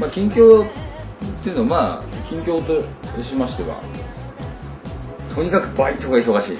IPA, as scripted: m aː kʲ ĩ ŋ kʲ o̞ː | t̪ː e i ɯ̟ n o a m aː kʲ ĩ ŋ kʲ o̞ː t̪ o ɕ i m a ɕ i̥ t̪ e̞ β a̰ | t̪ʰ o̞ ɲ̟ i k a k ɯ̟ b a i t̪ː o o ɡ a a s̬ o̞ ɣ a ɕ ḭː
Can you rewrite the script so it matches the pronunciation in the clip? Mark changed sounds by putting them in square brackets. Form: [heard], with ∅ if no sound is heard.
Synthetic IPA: m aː kʲ ĩ ŋ kʲ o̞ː | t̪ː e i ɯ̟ n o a m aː kʲ ĩ ŋ kʲ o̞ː t̪ o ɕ i m a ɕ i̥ t̪ e̞ β a̰ | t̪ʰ o̞ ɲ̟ i k a k ɯ̟ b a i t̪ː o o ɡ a [i] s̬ o̞ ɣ a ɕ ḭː